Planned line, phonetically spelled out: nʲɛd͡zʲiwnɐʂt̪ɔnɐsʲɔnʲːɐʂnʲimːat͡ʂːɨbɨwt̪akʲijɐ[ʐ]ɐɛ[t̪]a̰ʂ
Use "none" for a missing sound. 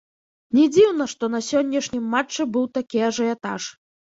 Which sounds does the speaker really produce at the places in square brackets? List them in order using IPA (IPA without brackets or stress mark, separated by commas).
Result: ʐ, t̪